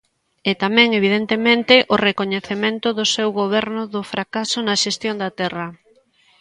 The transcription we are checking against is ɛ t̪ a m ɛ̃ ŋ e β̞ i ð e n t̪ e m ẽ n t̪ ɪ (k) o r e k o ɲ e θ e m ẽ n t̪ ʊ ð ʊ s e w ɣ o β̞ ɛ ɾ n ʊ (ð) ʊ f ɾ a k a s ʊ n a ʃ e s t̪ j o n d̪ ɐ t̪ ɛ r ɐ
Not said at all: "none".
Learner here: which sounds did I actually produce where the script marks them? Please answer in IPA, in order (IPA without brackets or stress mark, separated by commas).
ʔ, ð